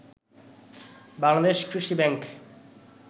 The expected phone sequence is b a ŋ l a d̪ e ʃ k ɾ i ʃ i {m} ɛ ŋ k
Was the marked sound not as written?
yes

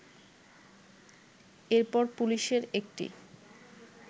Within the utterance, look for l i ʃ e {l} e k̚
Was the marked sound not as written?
yes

